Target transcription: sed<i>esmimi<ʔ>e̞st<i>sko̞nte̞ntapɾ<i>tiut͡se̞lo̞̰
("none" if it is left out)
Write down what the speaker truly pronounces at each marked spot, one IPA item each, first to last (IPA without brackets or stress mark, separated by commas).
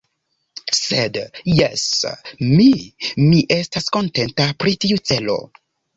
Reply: j, ʔ, a, i